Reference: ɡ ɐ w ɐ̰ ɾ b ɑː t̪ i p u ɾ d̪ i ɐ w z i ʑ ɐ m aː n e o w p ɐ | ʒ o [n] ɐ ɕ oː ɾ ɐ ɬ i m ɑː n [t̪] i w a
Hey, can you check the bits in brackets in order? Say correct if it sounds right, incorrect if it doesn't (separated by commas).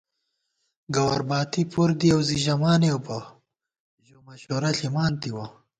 incorrect, correct